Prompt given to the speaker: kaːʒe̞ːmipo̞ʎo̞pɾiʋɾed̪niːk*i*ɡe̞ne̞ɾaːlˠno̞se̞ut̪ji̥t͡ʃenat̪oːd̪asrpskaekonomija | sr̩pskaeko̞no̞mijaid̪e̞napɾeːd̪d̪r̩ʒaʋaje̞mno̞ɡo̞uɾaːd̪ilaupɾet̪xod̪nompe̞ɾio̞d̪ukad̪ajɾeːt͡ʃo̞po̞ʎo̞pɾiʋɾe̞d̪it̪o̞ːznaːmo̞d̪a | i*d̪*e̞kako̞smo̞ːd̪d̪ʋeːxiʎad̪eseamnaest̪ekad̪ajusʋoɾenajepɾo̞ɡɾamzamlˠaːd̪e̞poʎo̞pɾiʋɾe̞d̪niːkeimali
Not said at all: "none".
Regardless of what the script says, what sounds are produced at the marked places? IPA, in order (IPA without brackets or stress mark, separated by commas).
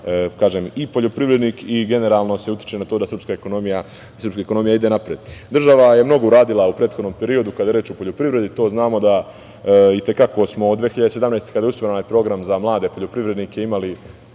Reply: i, t̪